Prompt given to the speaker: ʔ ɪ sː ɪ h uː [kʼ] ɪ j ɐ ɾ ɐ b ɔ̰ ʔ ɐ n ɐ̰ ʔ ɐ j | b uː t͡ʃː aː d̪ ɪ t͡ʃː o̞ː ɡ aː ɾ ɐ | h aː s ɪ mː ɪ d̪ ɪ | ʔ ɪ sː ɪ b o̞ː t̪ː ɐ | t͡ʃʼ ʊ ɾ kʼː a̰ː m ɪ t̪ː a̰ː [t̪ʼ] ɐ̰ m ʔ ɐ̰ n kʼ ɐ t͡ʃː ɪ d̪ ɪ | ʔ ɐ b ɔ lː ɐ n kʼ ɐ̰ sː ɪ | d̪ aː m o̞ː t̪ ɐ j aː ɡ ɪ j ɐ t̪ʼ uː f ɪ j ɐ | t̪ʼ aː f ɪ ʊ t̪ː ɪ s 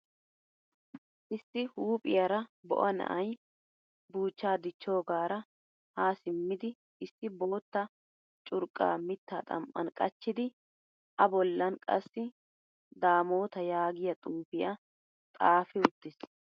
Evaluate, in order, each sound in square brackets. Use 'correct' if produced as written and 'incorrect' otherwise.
incorrect, correct

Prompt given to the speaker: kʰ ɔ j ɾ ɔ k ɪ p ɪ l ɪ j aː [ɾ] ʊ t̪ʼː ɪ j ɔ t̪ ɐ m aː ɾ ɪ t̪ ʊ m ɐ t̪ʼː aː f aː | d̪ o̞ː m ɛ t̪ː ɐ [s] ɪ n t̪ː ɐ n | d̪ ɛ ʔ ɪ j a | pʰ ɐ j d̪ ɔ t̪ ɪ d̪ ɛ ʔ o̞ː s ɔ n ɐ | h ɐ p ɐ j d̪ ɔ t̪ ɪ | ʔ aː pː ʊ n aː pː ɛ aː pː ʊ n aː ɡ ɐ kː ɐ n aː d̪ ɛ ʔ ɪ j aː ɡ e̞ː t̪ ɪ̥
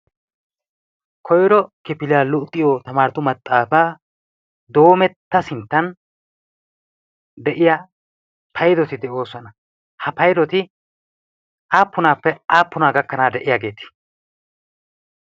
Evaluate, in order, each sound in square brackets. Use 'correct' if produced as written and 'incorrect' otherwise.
incorrect, correct

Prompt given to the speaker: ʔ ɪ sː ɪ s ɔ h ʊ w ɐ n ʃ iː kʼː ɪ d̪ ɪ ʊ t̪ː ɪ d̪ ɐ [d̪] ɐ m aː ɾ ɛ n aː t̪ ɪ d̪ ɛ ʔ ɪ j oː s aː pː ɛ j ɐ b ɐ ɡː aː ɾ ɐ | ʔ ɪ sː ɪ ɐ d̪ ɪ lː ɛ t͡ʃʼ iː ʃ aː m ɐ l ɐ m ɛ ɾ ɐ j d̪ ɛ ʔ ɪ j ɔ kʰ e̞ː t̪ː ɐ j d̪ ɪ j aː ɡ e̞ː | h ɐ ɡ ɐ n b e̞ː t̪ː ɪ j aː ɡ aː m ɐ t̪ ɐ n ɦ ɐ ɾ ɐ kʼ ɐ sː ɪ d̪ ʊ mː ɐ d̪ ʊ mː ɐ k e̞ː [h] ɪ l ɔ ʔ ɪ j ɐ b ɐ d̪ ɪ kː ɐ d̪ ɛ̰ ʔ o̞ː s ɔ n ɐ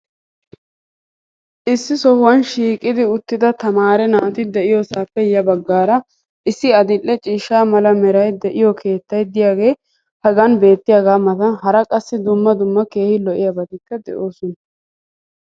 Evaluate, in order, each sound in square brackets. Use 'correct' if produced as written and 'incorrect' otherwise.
incorrect, correct

